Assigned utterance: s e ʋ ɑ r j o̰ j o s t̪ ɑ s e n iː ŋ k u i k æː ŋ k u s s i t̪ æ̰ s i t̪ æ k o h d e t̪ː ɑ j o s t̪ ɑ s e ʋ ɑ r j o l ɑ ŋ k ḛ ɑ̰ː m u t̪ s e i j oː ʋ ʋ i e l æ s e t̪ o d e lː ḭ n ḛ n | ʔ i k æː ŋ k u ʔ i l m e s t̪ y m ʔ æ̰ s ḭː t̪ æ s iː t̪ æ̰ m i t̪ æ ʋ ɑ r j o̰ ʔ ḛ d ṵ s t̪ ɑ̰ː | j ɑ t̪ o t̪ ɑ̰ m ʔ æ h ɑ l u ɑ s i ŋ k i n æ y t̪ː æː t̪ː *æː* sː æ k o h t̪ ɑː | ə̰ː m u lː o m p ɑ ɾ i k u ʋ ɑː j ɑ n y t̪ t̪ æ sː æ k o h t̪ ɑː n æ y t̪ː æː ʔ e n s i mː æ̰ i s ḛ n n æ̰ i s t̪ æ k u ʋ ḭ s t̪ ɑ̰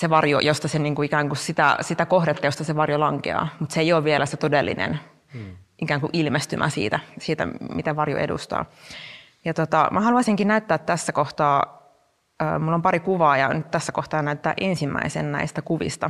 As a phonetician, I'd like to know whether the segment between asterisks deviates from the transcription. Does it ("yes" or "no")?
yes